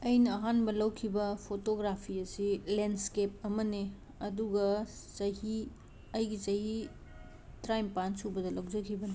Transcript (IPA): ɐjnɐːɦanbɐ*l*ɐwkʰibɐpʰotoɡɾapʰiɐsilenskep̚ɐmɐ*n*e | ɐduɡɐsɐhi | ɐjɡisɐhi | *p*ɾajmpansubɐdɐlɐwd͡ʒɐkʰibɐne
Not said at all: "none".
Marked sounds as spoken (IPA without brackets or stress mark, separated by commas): l, n, t